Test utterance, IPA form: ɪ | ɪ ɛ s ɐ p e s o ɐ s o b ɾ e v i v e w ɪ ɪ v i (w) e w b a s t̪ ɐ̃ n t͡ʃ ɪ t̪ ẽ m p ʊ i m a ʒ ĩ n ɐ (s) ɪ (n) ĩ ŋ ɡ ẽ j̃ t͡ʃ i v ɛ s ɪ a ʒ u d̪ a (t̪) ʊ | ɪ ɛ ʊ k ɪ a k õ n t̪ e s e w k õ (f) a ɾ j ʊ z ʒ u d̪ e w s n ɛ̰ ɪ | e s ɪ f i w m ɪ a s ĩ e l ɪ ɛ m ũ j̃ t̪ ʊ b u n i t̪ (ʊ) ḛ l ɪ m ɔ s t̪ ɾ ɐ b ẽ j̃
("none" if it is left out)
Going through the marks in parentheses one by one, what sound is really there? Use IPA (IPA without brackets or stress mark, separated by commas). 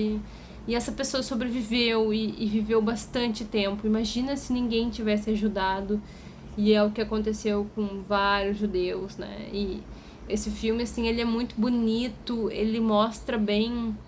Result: v, s, n, d̪, v, ʊ